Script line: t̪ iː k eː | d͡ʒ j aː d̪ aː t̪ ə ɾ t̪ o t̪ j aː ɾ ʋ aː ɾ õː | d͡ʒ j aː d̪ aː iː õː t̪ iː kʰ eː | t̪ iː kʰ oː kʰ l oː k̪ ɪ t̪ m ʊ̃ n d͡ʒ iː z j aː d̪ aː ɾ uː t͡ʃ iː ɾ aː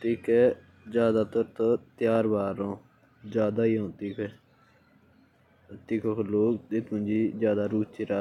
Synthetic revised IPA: t̪ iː k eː | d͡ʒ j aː d̪ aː t̪ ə ɾ t̪ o t̪ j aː ɾ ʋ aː ɾ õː | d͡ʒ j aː d̪ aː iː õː t̪ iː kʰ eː | t̪ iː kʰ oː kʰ l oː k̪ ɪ t̪ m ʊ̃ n d͡ʒ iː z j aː d̪ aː ɾ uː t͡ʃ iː ɾ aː